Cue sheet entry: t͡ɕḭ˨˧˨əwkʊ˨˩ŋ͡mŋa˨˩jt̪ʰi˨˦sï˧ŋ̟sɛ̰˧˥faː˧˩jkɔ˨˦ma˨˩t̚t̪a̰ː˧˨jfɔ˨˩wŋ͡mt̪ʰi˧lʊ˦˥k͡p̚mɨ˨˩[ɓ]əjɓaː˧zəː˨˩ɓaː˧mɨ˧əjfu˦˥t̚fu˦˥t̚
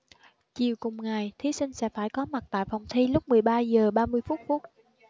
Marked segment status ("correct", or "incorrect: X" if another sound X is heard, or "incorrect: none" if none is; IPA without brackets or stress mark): incorrect: none